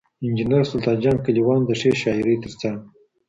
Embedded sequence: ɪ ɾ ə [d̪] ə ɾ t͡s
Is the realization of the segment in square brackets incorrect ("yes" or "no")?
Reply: yes